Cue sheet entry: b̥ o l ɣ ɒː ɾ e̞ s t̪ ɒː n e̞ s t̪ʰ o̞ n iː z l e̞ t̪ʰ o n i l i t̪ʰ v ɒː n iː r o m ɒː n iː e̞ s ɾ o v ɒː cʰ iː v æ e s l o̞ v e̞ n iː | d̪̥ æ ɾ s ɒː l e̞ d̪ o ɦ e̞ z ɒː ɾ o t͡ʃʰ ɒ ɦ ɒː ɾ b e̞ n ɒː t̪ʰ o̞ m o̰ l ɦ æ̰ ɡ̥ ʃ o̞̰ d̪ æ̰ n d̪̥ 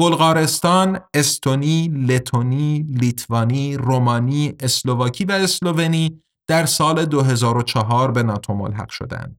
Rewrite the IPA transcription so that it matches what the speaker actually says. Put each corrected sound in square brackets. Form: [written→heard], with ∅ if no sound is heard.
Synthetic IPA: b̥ o l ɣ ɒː ɾ e̞ s t̪ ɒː n e̞ s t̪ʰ o̞ n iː [z→∅] l e̞ t̪ʰ o n i l i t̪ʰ v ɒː n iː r o m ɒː n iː e̞ s [ɾ→l] o v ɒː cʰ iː v æ e s l o̞ v e̞ n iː | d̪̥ æ ɾ s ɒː l e̞ d̪ o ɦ e̞ z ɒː ɾ o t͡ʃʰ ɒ ɦ ɒː ɾ b e̞ n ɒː t̪ʰ o̞ m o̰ l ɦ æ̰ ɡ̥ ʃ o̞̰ d̪ æ̰ n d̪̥